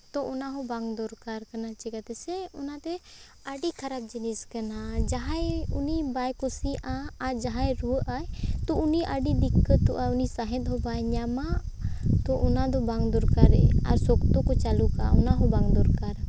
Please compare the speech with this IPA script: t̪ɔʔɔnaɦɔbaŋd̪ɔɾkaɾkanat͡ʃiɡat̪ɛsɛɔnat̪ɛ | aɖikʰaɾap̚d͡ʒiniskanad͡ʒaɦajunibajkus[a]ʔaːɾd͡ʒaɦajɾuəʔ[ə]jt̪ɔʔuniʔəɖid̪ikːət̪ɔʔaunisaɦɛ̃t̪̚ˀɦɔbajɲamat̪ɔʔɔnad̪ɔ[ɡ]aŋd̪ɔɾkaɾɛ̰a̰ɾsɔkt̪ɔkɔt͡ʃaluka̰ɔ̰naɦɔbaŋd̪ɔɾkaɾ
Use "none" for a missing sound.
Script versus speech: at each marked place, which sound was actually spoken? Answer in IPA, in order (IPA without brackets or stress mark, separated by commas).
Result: i, a, b